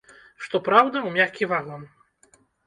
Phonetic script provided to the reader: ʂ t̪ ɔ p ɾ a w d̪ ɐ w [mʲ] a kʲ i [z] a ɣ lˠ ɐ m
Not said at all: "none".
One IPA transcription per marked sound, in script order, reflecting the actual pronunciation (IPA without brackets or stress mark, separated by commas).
mʲ, v